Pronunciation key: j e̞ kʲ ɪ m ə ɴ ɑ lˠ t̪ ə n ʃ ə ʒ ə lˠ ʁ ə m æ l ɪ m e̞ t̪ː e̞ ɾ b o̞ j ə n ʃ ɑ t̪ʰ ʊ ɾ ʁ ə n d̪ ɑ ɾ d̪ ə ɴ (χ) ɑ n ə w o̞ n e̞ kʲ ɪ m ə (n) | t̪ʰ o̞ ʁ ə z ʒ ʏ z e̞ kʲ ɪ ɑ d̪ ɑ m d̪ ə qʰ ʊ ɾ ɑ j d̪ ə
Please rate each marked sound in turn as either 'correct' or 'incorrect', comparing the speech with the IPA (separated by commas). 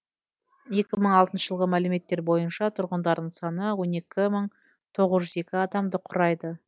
incorrect, incorrect